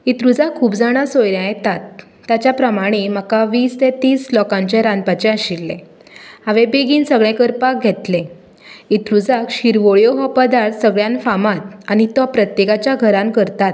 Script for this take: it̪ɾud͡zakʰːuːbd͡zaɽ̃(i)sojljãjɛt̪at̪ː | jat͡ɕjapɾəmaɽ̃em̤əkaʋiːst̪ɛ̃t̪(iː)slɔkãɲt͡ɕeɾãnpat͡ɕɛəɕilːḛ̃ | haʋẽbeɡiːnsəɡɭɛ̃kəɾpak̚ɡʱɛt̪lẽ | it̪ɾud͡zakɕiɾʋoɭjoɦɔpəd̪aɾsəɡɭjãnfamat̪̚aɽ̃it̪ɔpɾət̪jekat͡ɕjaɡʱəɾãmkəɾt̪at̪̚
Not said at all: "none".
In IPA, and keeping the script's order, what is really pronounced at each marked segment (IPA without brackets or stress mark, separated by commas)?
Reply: a, iː